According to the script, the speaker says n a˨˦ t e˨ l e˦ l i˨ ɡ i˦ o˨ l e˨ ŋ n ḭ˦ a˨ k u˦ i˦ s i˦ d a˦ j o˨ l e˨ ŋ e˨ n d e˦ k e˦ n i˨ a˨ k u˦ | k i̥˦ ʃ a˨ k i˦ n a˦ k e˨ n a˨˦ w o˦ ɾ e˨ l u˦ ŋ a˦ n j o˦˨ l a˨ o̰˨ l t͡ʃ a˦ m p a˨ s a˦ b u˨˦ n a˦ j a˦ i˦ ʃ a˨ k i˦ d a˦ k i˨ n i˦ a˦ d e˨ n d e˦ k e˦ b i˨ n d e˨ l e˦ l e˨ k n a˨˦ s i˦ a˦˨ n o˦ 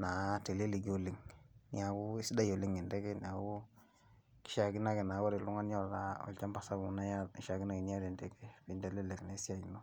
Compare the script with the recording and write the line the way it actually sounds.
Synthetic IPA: n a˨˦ t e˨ l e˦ l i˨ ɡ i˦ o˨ l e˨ ŋ n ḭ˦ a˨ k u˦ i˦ s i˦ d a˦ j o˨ l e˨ ŋ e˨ n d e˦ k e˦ n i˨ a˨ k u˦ | k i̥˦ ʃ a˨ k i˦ n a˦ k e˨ n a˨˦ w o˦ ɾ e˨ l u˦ ŋ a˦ n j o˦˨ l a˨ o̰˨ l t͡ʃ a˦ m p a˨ s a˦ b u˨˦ n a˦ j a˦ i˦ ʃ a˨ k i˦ n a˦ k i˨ n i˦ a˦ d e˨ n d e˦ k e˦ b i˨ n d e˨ l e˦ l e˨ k n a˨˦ s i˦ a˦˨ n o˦